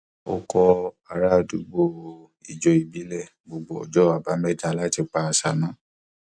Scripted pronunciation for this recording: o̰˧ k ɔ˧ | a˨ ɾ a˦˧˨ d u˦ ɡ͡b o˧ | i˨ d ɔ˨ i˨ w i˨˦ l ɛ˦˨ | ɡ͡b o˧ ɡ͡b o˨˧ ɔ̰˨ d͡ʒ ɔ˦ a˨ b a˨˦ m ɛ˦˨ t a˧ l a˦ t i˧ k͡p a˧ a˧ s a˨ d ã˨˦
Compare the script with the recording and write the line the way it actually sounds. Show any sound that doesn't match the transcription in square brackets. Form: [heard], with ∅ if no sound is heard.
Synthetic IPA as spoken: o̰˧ k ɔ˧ | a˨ ɾ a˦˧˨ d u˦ ɡ͡b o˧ | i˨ [d͡ʒ] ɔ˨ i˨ [b] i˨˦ l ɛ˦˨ | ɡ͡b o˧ ɡ͡b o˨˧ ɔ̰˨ d͡ʒ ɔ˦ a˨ b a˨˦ m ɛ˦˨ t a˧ l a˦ t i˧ k͡p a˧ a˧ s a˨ [n] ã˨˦